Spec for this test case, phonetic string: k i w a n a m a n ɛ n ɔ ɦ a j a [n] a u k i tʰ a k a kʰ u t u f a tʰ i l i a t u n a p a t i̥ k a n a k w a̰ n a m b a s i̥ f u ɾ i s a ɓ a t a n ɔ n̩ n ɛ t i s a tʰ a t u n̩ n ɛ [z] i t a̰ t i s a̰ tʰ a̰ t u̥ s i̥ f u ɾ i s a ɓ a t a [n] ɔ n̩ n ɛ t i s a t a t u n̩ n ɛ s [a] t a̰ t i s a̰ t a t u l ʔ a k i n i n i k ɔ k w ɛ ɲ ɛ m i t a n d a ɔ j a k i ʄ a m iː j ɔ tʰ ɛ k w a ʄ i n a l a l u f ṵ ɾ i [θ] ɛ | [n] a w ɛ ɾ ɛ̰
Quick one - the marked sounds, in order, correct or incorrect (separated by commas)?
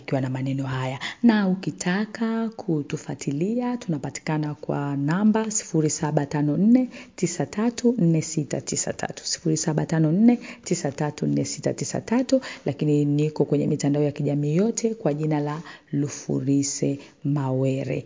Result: correct, incorrect, correct, incorrect, incorrect, incorrect